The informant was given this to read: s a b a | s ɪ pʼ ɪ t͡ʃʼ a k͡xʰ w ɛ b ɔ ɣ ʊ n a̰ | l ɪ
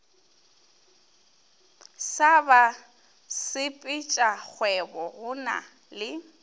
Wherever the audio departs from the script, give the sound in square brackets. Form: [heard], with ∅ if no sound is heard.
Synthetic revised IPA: s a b a | s ɪ pʼ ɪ t͡ʃʼ a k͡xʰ w ɛ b ɔ ɣ ʊ n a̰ | l ɪ